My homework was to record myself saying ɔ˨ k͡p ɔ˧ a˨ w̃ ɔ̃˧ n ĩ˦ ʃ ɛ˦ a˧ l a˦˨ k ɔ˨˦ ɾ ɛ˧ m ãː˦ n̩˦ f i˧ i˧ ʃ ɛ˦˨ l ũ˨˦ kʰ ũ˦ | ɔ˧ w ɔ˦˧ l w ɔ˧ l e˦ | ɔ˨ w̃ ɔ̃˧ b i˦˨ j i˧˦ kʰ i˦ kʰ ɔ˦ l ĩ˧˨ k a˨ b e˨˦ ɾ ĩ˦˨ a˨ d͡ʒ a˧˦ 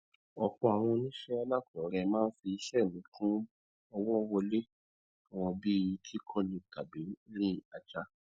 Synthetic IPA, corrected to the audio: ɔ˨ k͡p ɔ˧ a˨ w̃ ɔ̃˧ n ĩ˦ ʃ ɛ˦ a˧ l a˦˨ k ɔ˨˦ ɾ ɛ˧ m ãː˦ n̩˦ f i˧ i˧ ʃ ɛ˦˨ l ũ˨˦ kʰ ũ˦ | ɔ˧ w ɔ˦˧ w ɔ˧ l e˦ | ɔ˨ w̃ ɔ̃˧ b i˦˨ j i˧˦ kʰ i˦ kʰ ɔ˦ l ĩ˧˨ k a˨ b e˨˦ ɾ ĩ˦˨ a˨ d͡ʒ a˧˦